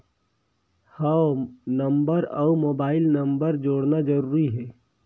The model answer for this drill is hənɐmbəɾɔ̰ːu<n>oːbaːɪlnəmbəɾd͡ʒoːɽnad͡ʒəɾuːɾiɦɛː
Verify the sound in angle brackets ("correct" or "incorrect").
incorrect